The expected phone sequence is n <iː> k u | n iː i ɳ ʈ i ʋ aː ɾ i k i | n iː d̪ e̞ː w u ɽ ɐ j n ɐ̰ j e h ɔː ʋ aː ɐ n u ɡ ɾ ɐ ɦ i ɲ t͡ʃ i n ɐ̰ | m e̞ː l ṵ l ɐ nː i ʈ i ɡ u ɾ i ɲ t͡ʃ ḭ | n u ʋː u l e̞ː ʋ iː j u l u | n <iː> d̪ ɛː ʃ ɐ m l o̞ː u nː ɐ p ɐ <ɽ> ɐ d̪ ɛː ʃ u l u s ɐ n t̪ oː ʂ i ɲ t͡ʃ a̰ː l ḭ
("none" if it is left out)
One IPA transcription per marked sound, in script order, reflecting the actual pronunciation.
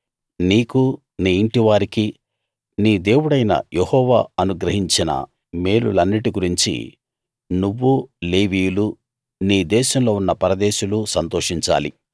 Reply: iː, iː, ɾ

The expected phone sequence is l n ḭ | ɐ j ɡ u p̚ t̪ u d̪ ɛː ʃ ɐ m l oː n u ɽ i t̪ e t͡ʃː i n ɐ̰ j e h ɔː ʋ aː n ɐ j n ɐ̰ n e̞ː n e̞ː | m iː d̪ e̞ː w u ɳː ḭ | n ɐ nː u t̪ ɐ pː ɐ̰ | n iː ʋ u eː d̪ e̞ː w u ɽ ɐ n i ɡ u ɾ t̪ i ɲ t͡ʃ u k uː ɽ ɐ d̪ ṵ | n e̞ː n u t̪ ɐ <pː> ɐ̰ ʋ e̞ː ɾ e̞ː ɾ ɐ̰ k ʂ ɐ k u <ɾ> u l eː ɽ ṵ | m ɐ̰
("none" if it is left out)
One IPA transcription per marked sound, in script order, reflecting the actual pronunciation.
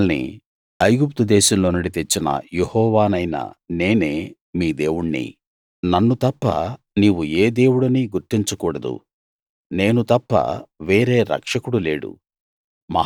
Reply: pː, ɽ

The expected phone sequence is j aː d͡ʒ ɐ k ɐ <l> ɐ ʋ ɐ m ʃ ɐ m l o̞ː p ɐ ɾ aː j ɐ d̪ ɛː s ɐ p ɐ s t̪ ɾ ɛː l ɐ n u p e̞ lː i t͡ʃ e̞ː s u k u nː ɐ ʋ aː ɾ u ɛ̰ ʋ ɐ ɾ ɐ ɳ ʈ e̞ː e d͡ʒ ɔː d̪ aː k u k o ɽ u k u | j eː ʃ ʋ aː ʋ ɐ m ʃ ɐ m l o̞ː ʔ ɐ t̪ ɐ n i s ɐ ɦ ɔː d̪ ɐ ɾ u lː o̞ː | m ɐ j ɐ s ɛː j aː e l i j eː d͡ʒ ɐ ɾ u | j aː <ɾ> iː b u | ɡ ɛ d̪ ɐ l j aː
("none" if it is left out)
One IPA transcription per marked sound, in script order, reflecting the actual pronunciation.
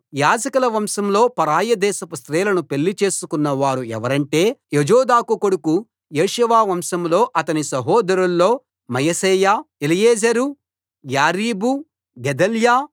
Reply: l, ɾ

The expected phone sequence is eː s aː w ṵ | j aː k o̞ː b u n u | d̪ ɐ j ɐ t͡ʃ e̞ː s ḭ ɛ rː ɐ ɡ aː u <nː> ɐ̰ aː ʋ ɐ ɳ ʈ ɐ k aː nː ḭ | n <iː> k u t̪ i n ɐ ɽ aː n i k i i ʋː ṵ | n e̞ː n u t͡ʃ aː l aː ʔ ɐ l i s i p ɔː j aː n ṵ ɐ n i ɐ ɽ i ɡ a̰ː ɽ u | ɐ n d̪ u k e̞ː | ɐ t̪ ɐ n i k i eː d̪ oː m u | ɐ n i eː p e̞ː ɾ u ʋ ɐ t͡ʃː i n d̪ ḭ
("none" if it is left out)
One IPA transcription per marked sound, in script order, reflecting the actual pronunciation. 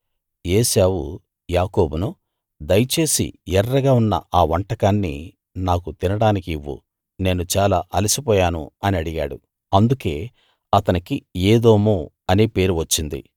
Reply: nː, aː

